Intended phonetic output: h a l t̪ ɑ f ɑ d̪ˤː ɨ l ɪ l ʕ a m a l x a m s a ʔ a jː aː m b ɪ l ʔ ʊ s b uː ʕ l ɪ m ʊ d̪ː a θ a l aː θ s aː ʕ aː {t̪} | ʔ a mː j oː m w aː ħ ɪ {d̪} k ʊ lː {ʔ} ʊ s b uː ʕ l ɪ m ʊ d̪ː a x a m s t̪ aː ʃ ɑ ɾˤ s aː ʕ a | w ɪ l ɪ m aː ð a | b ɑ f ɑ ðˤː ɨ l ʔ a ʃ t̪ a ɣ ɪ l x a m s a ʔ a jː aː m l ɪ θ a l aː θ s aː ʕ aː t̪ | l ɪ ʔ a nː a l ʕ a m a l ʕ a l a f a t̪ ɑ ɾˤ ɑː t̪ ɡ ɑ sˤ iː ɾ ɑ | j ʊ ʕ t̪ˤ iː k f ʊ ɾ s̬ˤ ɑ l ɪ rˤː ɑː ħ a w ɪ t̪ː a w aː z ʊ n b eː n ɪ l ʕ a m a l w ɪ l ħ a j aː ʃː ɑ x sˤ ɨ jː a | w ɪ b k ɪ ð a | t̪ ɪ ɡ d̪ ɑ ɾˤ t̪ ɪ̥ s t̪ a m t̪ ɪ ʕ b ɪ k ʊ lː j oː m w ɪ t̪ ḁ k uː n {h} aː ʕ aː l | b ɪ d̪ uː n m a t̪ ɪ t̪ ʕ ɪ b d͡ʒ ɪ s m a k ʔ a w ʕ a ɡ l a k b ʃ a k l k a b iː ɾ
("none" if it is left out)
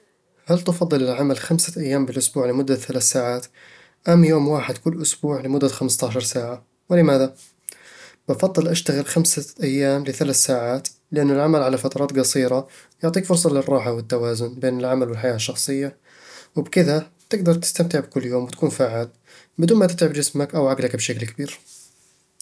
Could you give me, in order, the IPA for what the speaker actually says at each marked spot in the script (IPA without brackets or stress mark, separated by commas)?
t̪, d̪, ʔ, f